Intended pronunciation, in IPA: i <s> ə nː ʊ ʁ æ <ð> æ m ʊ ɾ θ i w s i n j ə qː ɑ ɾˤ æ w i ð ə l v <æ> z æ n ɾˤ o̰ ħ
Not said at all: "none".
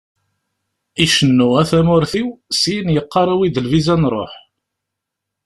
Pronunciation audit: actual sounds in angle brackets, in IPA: ʃ, θ, i

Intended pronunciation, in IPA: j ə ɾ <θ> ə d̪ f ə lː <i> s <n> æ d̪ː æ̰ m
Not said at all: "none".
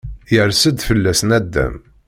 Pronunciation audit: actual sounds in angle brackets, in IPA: s, æ, n

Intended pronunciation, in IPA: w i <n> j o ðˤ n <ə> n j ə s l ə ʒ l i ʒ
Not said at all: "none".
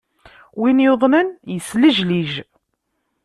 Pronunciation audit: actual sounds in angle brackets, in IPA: n, ə

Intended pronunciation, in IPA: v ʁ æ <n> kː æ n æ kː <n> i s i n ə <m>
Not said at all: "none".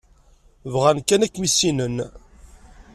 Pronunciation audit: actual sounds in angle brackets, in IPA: n, m, n

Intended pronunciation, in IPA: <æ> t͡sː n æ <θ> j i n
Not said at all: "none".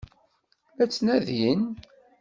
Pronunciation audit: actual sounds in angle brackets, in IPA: æ, ð

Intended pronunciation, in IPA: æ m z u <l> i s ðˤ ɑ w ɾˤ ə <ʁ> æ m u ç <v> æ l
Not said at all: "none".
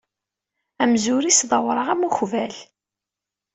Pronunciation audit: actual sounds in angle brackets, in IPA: ɾ, ʁ, v

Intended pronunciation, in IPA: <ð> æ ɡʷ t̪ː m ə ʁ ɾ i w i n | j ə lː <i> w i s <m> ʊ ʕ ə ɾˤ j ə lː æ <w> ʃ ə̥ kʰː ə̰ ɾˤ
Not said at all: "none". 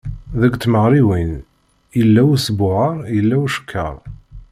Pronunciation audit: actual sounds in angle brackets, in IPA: ð, æ, b, w

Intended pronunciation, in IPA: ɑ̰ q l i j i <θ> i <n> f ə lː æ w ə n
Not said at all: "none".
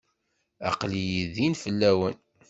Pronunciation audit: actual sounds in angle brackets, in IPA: ð, n

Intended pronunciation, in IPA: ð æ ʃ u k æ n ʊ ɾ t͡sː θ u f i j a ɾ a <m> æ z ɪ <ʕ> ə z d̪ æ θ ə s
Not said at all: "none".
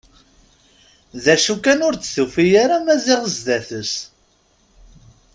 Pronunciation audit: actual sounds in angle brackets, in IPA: m, ʁ

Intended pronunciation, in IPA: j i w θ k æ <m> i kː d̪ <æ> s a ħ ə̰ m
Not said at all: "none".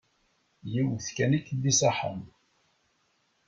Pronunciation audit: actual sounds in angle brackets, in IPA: n, i

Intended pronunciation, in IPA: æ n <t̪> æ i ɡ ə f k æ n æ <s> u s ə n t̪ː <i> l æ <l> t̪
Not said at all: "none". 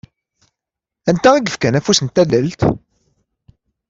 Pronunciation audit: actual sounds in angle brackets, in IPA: t̪, f, æ, l

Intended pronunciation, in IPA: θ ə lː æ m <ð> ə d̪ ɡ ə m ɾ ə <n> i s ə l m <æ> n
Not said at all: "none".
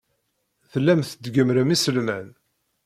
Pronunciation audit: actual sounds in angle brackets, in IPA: θ, m, æ

